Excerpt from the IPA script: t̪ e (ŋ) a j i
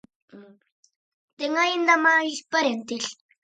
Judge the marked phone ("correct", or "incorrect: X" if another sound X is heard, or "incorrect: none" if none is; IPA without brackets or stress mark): correct